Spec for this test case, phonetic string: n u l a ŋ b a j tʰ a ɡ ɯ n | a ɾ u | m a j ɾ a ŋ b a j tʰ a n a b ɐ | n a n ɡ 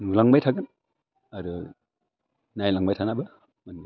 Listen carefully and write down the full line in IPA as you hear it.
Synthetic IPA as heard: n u l a ŋ b a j tʰ a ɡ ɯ n | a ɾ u | n a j l a ŋ b a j tʰ a n a b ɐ | m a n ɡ

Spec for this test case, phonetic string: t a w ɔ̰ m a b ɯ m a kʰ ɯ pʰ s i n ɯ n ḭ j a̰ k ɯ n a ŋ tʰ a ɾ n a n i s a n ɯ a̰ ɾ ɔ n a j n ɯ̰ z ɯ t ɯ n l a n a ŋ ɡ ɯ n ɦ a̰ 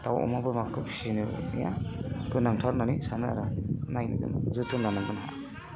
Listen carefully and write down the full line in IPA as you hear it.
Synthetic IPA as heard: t a w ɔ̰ m a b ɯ m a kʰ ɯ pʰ s i n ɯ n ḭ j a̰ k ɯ n a ŋ tʰ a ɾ n a n i s a n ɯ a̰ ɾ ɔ n a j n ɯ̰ z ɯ t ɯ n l a n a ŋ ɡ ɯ n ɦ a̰

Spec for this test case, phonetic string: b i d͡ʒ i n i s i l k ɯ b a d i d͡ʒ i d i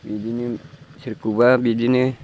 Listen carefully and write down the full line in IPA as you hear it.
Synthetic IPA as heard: b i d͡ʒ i n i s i ɾ k u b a b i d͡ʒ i n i

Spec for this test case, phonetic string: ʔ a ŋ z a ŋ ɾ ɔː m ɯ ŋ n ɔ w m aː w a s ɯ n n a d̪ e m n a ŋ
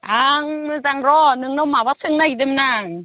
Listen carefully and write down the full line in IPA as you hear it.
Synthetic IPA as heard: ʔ a ŋ z a ŋ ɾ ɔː n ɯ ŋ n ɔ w m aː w a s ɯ ŋ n a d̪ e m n a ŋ

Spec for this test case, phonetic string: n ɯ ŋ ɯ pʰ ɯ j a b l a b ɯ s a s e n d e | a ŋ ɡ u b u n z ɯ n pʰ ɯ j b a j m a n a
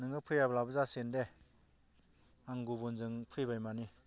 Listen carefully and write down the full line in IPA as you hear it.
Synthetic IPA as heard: n ɯ ŋ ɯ pʰ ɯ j a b l a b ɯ z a s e n d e | a ŋ ɡ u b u n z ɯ ŋ pʰ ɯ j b a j m a n i

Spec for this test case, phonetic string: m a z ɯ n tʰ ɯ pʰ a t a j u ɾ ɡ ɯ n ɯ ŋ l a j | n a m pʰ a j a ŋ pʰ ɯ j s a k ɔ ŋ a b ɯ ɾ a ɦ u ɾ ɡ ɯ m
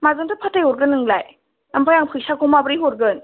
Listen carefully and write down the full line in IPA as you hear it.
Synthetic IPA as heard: m a z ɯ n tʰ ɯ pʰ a t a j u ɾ ɡ ɯ n ɯ ŋ l a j | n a m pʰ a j a ŋ pʰ ɯ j s a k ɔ m a b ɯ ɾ i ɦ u ɾ ɡ ɯ n

